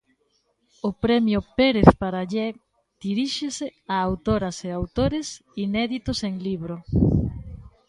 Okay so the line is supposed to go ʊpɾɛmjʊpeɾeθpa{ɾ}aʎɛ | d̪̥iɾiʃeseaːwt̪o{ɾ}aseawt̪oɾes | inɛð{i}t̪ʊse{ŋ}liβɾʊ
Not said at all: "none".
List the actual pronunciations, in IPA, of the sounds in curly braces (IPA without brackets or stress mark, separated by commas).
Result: ɾ, ɾ, i, ŋ